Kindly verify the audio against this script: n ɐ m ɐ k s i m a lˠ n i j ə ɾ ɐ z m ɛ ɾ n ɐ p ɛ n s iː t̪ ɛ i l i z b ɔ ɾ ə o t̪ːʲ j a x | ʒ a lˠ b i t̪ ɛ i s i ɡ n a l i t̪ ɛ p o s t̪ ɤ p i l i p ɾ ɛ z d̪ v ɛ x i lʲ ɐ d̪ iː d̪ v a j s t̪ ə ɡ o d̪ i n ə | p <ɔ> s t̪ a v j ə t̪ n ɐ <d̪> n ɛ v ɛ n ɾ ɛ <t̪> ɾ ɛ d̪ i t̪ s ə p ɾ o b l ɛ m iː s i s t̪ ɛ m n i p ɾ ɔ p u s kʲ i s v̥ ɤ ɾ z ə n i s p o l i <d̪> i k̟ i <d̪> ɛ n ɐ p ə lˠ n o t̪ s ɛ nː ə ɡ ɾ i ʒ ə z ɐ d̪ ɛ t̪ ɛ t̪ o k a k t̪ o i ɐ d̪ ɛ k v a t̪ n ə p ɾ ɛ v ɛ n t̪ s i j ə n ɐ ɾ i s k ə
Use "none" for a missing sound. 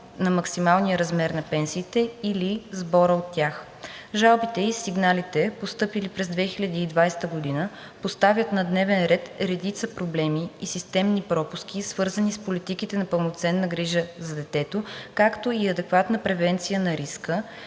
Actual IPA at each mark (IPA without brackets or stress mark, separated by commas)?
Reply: o, d̪, t̪, t̪, t̪